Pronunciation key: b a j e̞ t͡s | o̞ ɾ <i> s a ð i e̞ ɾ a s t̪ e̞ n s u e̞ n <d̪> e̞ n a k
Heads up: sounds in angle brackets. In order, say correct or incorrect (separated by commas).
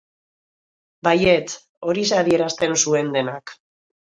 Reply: correct, correct